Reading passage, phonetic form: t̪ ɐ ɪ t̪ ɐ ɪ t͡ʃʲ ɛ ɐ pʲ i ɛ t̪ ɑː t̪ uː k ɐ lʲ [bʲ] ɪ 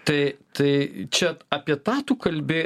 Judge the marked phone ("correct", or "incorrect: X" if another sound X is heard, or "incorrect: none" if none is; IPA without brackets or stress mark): correct